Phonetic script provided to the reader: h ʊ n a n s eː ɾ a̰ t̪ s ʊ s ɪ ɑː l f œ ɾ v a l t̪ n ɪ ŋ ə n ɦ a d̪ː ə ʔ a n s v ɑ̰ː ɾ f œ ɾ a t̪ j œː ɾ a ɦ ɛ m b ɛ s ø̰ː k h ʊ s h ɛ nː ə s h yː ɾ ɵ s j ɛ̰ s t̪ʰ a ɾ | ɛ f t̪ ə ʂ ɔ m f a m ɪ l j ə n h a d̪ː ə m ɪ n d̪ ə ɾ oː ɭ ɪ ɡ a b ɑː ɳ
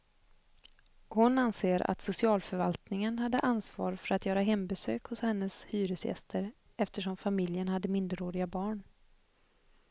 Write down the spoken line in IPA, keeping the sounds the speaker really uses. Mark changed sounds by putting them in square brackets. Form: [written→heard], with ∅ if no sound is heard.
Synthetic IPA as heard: h ʊ n a n s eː ɾ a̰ t̪ s ʊ s ɪ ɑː l f œ ɾ v a l t̪ n ɪ ŋ ə n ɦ a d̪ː ə ʔ a n s v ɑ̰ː ɾ f œ ɾ a t̪ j œː ɾ a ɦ ɛ m b ɛ s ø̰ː k h ʊ s h ɛ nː ə s h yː ɾ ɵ s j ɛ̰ s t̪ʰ [a→ə] ɾ | ɛ f t̪ ə ʂ ɔ m f a m ɪ l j ə n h a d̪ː ə m ɪ n d̪ ə ɾ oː [ɭ→ɾ] ɪ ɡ a b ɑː ɳ